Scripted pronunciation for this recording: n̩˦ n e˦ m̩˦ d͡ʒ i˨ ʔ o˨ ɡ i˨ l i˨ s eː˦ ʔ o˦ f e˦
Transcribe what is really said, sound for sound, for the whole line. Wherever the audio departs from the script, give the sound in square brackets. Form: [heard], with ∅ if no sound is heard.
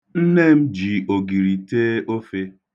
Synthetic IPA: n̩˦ n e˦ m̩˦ d͡ʒ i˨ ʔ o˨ ɡ i˨ [ɾ] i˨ [t] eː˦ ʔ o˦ f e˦